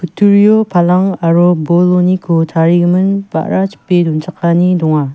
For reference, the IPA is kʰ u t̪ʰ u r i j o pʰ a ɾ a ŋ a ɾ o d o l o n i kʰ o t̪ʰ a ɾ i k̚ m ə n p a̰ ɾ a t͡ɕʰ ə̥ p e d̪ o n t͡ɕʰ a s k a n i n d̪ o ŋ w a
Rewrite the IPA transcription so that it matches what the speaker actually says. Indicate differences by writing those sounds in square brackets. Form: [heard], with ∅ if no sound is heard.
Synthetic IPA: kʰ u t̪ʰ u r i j o pʰ a [l] a ŋ a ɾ o [b] o l o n i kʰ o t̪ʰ a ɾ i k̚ m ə n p a̰ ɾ a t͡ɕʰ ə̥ p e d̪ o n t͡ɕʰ a [χ] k a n i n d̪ o ŋ w a